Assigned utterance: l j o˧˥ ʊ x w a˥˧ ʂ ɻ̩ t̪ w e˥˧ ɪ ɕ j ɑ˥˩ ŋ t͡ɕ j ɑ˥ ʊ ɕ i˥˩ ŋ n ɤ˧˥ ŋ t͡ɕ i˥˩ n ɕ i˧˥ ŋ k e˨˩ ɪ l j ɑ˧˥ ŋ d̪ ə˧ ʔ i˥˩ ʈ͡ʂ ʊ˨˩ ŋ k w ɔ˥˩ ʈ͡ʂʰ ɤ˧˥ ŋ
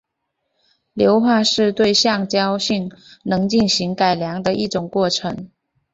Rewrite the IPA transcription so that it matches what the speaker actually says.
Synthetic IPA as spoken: l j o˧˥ ʊ x w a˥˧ ʂ ɻ̩ t̪ w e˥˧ ɪ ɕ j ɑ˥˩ ŋ t͡ɕ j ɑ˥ ʊ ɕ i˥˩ ŋ n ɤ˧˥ ŋ t͡ɕ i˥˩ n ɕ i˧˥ ŋ k a˨˩ ɪ l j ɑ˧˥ ŋ d̪ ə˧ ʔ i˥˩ ʈ͡ʂ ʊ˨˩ ŋ k w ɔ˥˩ ʈ͡ʂʰ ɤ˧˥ ŋ